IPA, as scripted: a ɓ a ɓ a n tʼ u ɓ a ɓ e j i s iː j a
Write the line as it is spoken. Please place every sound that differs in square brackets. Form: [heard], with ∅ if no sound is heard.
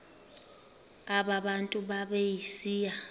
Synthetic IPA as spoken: a ɓ a ɓ a n tʼ u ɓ a ɓ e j i s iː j a